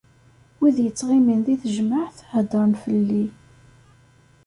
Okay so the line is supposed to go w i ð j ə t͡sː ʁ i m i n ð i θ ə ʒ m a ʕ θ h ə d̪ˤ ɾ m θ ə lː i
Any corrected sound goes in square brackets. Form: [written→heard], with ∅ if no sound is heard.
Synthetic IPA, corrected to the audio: w i ð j ə t͡sː ʁ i m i n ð i θ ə ʒ m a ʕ θ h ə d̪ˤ ɾ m [θ→f] ə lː i